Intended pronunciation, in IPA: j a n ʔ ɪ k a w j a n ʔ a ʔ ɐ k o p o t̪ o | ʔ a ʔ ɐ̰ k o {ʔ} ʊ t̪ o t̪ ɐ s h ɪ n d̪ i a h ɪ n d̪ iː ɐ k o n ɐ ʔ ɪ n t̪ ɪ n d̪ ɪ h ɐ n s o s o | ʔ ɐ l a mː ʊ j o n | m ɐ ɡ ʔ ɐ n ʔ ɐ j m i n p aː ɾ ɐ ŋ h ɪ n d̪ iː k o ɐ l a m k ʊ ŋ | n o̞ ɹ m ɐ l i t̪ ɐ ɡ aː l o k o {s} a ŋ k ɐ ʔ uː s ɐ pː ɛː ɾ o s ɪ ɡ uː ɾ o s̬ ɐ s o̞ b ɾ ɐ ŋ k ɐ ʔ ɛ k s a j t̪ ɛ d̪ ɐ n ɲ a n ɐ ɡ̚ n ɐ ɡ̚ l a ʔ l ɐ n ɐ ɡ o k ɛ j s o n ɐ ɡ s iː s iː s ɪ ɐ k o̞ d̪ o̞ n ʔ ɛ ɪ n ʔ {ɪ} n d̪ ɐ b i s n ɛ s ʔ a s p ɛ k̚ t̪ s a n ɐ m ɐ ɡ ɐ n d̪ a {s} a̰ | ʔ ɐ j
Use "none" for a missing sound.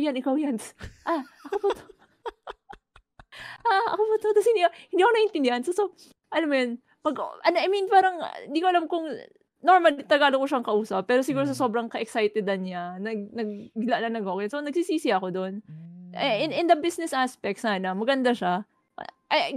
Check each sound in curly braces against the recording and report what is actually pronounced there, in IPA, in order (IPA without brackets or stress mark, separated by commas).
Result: p, ʃ, ɪ, ʃ